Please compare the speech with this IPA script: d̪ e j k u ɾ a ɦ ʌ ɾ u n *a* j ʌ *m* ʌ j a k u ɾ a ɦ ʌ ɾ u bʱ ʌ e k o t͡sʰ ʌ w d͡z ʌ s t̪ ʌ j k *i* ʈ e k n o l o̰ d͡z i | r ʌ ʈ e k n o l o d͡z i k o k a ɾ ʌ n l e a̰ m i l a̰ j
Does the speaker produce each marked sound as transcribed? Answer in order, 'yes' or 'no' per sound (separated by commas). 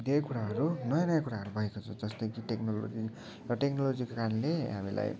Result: no, no, yes